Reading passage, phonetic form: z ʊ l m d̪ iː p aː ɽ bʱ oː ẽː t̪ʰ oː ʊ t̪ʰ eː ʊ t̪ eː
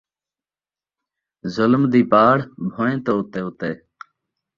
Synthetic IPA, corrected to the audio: z ʊ l m d̪ iː p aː ɽ bʱ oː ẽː t̪ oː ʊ t̪ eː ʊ t̪ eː